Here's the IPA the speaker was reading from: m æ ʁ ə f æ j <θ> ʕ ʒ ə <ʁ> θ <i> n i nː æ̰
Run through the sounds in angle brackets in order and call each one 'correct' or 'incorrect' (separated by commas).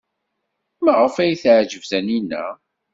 correct, incorrect, incorrect